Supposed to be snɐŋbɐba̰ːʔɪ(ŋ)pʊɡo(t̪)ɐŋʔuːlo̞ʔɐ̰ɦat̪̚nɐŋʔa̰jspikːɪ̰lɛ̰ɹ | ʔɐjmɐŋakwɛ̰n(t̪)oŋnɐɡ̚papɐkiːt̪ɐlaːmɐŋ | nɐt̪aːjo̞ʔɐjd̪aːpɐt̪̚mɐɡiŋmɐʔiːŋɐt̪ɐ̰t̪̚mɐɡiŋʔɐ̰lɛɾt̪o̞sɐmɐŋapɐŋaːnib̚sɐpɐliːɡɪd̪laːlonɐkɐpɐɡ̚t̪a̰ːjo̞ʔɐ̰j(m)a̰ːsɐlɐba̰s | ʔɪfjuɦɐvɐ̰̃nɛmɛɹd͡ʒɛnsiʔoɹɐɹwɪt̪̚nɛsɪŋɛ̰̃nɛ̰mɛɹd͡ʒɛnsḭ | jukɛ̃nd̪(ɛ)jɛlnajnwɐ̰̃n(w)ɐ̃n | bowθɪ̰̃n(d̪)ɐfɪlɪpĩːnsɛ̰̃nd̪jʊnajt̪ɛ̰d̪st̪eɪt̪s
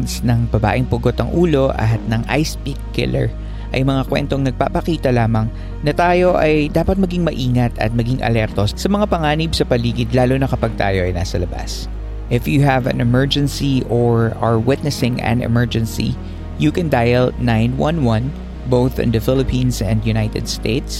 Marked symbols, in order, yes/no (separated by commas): yes, yes, yes, no, no, yes, yes